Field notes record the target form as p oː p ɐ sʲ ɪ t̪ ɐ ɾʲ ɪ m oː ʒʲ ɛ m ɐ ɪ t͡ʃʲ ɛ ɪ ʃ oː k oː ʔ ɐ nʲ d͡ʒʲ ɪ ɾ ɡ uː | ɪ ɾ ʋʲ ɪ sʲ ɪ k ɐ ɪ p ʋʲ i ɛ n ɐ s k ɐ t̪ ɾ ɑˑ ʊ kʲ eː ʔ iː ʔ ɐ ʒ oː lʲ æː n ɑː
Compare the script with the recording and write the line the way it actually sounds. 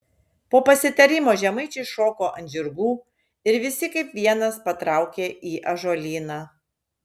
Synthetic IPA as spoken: p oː p ɐ sʲ ɪ t̪ ɐ ɾʲ ɪ m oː ʒʲ ɛ m ɐ ɪ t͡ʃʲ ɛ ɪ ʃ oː k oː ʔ ɐ nʲ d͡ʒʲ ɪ ɾ ɡ uː | ɪ ɾ ʋʲ ɪ sʲ ɪ k ɐ ɪ p ʋʲ i ɛ n ɐ s p ɐ t̪ ɾ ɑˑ ʊ kʲ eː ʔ iː ʔ ɐ ʒ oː lʲ iː n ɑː